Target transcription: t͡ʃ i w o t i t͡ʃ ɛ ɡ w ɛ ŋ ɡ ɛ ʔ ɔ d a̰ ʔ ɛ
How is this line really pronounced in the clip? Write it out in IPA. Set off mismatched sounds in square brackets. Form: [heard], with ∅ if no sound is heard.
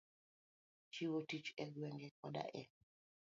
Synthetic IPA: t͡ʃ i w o t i t͡ʃ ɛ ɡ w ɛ ŋ ɡ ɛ [k] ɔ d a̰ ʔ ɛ

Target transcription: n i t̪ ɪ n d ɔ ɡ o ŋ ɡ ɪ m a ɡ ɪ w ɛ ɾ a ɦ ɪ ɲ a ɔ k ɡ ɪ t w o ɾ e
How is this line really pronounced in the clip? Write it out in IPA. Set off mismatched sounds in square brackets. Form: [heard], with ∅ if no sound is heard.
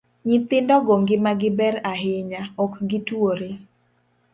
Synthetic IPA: [ɲ] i t̪ ɪ n d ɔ ɡ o ŋ ɡ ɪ m a ɡ ɪ [b] ɛ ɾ a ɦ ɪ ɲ a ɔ k ɡ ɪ t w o ɾ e

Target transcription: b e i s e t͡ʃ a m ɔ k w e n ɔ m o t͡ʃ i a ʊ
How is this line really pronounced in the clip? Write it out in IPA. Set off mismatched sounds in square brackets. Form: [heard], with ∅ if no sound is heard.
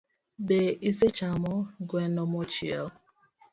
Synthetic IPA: b e i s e t͡ʃ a m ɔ [ɡ] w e n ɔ m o t͡ʃ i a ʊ

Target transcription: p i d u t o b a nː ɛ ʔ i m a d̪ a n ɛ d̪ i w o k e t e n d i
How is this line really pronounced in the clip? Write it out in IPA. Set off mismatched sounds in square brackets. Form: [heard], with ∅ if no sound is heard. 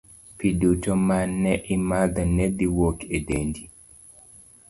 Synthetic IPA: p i d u t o [m] a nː ɛ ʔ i m a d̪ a n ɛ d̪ i w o k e [d] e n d i

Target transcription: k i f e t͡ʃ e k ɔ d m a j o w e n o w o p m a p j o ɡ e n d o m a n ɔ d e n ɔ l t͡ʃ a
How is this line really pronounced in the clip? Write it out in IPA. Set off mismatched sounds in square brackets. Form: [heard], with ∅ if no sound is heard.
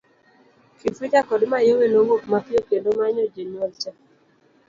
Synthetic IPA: k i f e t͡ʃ [a] k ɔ d m a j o w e n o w o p m a p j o [k] e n d o m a [ɲ] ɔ [d͡ʒ] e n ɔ l t͡ʃ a

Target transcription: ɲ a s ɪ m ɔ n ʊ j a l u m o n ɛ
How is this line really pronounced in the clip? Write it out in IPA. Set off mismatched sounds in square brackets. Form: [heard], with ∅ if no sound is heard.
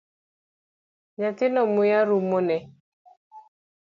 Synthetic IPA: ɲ a [t] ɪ [n] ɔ [m] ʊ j a [ɾ] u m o n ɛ

